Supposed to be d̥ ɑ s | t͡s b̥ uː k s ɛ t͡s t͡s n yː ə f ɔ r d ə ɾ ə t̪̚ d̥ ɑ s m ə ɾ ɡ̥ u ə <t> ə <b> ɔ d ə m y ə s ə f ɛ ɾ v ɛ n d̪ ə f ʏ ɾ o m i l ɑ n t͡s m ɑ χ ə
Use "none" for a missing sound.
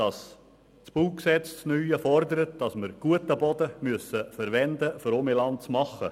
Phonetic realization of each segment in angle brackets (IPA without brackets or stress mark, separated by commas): t, b